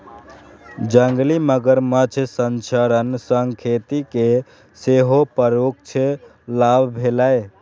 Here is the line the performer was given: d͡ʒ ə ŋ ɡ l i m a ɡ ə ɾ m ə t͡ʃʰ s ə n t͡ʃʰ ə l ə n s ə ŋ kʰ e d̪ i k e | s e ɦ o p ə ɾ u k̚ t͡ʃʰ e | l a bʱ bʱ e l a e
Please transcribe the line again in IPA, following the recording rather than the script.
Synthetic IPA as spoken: d͡ʒ ə ŋ ɡ l i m ə ɡ ə ɾ m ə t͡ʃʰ s ə n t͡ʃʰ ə ɾ ə n s ə ŋ kʰ e t̪ i k e | s e ɦ o p ə ɾ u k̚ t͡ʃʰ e | l a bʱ bʱ e l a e